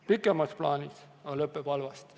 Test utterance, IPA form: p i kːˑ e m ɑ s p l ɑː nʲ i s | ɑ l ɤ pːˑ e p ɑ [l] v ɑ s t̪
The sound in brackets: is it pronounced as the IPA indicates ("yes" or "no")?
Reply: yes